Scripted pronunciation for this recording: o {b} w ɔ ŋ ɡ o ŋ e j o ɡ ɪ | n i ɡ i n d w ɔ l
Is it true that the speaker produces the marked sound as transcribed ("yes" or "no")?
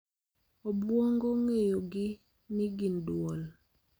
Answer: yes